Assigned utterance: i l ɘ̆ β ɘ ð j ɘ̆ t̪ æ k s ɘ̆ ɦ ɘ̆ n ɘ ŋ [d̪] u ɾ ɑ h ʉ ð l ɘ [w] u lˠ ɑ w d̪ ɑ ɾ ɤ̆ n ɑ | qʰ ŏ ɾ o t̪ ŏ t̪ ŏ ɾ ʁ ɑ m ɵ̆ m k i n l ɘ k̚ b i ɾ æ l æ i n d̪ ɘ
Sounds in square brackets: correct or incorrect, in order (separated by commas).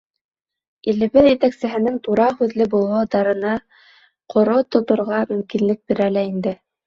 incorrect, incorrect